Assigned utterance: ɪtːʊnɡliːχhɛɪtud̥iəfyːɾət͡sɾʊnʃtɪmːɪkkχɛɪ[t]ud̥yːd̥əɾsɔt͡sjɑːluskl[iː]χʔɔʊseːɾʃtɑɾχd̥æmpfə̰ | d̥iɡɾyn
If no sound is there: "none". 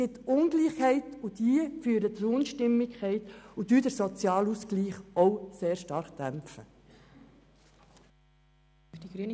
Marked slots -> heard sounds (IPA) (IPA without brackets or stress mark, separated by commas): t, iː